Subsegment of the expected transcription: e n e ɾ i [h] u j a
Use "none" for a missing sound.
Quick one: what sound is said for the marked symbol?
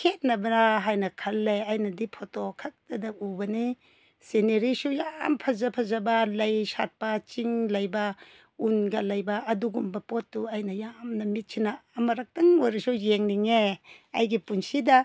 s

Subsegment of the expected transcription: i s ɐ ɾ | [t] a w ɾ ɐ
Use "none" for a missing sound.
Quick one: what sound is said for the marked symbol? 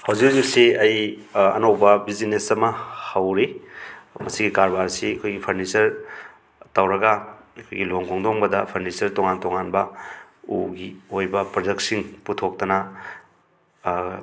t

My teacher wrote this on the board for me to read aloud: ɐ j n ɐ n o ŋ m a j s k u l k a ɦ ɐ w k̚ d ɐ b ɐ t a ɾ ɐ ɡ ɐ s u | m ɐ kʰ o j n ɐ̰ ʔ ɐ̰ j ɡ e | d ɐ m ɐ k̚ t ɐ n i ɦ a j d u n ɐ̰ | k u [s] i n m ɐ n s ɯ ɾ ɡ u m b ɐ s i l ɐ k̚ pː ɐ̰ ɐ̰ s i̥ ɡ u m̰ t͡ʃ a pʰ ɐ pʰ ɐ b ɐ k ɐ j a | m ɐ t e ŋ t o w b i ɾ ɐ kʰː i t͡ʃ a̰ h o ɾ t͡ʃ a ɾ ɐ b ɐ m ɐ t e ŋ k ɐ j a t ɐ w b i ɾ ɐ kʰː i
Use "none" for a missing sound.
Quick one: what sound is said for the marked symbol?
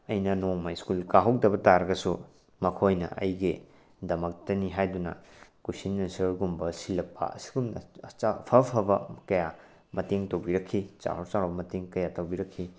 s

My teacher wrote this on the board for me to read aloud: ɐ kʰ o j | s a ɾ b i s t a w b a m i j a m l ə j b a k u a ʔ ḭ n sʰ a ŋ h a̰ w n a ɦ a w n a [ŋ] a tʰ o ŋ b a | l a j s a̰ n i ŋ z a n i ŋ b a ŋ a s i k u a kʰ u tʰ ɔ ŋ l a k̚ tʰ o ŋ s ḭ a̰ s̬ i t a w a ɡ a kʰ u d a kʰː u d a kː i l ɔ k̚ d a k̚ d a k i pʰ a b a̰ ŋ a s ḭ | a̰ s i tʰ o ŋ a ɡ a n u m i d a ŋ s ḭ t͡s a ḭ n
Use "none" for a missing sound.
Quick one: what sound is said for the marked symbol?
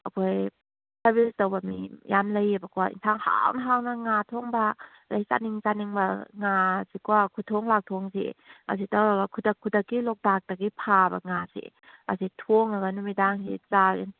ŋ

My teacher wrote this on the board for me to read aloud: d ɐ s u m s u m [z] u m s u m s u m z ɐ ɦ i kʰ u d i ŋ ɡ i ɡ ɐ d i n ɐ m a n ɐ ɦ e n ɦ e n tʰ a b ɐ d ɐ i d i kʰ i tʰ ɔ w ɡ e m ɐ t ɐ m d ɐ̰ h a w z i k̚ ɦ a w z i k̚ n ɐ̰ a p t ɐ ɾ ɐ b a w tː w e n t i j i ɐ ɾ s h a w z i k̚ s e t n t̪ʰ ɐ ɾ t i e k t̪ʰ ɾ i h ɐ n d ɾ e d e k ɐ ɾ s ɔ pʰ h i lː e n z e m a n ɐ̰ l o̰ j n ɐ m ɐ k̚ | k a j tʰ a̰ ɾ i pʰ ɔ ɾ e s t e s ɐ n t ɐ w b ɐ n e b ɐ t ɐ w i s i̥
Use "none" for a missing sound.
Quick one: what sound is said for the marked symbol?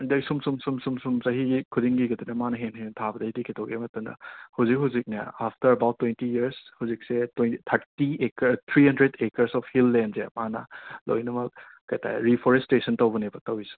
s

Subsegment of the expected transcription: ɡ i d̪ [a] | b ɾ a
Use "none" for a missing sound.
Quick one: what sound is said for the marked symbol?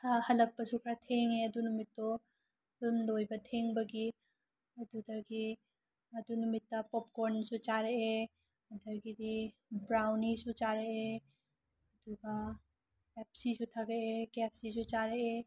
i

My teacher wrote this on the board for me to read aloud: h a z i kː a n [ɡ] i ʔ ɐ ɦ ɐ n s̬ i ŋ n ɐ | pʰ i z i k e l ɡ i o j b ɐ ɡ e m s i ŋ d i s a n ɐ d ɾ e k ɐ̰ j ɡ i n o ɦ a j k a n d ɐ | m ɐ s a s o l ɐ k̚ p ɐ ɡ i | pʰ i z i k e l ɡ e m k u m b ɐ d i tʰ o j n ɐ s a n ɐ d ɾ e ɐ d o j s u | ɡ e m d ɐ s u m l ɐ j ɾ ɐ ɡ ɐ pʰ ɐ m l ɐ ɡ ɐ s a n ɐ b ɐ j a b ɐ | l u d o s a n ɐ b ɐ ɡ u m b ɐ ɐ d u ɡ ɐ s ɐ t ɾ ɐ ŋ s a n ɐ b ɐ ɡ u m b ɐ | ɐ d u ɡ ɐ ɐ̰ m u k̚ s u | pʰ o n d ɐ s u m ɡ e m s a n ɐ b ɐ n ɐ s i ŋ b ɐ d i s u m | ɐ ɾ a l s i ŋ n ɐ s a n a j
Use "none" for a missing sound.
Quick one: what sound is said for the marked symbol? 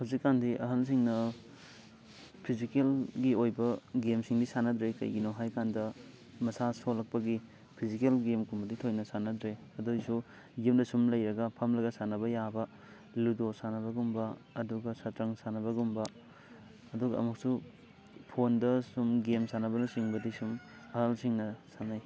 d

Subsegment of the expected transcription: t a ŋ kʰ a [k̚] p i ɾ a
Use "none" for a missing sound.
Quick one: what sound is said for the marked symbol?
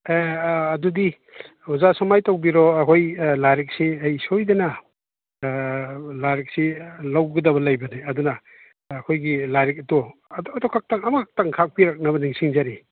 k̚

